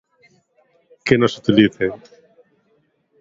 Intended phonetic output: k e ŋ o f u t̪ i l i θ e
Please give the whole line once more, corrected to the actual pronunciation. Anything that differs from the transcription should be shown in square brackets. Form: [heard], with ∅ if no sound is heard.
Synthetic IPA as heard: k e [n] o [s] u t̪ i l i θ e